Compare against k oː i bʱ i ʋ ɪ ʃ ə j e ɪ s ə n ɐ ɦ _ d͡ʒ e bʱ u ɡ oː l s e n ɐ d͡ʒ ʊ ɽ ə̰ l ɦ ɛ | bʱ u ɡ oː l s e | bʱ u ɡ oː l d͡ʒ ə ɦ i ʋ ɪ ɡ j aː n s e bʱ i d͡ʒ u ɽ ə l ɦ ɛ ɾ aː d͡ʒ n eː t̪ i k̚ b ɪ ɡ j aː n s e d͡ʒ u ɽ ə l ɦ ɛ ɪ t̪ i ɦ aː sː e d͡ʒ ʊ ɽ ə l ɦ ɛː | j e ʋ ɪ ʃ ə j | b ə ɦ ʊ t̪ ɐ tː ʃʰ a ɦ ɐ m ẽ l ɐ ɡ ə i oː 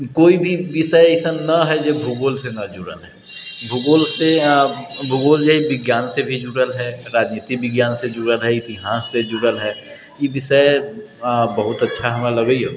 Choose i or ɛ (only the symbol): ɛ